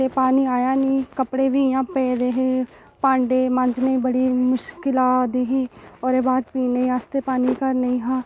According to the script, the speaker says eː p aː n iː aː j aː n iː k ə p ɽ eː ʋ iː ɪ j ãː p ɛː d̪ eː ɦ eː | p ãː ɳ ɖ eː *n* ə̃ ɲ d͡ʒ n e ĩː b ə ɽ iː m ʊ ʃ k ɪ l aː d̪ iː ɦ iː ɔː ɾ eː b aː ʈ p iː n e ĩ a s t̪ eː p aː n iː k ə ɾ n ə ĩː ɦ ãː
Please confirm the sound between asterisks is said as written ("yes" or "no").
no